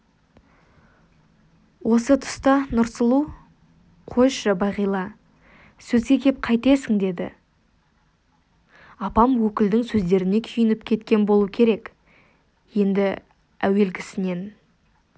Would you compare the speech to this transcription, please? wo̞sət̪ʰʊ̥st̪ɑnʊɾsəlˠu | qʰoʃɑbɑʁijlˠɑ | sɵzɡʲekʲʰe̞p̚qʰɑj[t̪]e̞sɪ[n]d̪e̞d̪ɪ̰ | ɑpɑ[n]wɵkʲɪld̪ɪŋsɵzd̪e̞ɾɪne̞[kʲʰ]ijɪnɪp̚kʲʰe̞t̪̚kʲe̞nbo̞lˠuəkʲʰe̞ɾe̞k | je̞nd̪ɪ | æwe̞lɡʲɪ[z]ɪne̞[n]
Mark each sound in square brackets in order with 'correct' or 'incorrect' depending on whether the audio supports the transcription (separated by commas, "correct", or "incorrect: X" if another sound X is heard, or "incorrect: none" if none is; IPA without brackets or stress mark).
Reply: correct, incorrect: ŋ, incorrect: m, correct, incorrect: s, correct